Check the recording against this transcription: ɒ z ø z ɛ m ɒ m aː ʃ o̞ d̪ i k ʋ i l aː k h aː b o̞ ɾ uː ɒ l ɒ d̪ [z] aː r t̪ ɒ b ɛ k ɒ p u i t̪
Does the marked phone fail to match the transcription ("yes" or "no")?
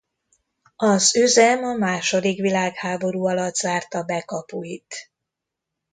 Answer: no